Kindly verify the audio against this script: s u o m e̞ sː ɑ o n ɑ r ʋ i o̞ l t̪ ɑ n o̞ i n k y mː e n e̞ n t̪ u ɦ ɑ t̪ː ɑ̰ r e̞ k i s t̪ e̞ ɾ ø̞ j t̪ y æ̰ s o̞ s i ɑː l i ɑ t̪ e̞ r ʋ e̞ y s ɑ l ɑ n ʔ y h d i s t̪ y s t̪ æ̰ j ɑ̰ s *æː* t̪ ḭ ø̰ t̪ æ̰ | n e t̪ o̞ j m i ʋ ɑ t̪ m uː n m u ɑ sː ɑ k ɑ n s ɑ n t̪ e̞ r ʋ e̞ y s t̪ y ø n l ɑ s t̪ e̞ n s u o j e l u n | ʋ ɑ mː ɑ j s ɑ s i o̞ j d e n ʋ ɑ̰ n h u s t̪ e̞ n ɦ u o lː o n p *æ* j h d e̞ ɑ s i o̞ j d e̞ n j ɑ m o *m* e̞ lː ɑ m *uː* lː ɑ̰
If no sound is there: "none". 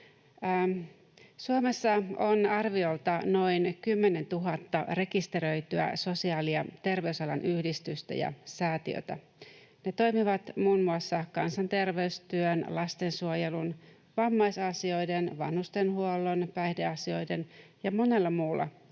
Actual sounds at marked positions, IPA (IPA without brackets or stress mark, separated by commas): æː, æ, n, uː